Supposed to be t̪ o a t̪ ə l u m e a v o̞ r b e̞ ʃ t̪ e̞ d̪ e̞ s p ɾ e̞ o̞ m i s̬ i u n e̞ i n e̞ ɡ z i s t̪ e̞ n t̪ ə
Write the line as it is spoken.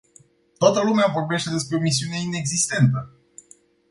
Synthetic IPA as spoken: t̪ o a t̪ ə l u m e a v o̞ r b e̞ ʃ t̪ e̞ d̪ e̞ s p ɾ e̞ o̞ m i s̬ i u n e̞ i n e̞ ɡ z i s t̪ e̞ n t̪ ə